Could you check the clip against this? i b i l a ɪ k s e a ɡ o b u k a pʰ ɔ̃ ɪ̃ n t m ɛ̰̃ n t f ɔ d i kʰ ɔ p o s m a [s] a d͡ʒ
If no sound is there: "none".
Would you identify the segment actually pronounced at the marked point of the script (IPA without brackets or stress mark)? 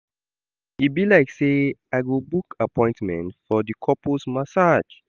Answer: s